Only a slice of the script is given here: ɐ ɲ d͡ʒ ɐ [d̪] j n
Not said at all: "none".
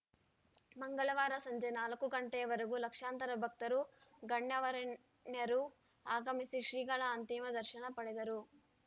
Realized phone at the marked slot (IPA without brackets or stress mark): none